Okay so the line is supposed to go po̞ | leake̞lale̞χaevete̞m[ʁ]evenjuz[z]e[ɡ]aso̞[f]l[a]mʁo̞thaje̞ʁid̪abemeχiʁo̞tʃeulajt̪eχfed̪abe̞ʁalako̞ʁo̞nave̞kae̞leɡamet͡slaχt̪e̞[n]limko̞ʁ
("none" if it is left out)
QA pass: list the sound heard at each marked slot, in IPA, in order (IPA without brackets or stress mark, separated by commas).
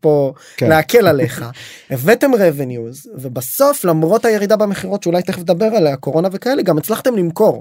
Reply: ʁ, v, b, f, a, m